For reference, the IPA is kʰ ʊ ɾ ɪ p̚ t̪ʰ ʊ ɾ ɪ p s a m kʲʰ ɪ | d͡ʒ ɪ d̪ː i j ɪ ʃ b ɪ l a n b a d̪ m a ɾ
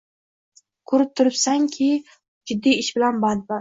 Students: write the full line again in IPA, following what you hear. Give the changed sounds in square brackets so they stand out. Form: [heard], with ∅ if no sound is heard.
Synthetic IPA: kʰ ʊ ɾ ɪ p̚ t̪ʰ ʊ ɾ ɪ p s a [ŋ] kʲʰ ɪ | d͡ʒ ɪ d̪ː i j ɪ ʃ b ɪ l a n b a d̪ [b] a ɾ